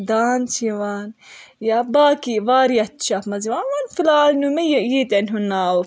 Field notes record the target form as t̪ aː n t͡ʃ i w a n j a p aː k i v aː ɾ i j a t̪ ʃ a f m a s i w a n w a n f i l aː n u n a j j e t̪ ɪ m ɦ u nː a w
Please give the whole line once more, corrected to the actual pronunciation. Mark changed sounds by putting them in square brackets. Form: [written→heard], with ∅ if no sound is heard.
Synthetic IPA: [t̪→d̪] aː n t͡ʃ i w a n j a [p→b] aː k i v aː ɾ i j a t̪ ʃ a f m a [s→z] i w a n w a n f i l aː n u [n→m] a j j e t̪ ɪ [m→n] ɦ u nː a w